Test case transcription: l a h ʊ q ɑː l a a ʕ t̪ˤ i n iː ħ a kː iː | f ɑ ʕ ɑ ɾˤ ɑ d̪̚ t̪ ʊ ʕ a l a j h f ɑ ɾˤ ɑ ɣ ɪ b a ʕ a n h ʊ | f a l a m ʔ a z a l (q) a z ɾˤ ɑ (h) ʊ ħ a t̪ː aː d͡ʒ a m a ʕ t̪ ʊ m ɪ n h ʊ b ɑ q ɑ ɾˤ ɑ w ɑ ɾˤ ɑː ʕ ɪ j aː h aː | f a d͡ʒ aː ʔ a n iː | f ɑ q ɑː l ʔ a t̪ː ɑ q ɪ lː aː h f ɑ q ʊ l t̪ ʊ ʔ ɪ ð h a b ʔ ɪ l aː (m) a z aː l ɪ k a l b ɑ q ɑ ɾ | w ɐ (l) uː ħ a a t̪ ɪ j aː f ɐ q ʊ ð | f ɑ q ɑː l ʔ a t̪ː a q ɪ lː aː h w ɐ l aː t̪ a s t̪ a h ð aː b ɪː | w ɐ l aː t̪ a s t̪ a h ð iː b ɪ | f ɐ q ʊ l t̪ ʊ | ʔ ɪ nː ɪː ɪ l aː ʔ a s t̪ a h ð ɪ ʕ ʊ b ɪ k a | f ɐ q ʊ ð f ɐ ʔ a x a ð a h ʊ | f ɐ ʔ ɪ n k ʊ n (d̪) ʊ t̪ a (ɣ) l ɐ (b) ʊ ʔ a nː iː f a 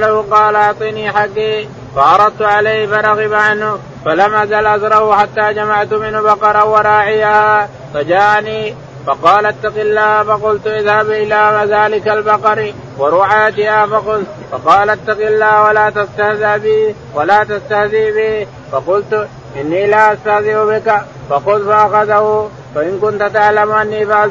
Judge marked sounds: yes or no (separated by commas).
no, yes, yes, no, no, no, no